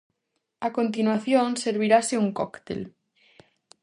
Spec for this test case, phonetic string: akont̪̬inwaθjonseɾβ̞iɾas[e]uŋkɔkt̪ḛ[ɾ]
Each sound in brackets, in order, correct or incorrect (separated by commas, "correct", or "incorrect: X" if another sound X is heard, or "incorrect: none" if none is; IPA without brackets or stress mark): correct, incorrect: l